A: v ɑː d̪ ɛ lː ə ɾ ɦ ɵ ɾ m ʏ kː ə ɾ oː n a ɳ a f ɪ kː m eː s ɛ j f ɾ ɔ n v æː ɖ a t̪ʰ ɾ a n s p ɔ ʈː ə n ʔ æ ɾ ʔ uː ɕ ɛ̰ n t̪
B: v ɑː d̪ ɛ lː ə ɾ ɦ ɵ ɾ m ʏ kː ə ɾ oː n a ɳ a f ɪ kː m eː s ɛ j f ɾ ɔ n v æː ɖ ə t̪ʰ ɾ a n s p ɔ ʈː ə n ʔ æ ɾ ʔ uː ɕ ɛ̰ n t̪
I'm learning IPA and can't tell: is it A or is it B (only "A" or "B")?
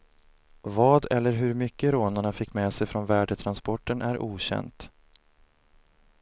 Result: B